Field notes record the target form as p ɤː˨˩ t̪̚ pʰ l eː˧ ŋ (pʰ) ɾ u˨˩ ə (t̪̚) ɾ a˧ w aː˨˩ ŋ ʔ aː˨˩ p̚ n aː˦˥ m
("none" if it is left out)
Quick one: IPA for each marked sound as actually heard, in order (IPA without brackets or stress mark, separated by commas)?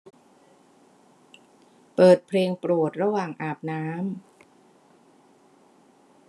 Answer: p, t̪̚